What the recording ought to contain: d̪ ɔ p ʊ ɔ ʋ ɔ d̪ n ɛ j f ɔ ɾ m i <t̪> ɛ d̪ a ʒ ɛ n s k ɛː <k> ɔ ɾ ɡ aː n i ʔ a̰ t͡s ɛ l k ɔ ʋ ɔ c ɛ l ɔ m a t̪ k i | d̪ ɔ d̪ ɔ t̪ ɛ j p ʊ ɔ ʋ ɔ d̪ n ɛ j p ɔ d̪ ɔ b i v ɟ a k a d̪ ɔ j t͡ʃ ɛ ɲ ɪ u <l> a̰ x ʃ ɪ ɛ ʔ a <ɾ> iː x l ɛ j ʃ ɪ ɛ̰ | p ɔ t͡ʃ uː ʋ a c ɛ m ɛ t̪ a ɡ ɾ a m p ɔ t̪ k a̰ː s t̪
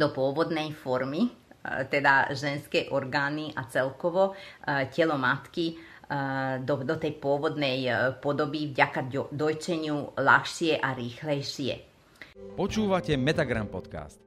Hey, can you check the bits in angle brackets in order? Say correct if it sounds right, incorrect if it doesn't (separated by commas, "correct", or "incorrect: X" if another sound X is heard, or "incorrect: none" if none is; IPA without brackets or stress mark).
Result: correct, incorrect: ʔ, correct, correct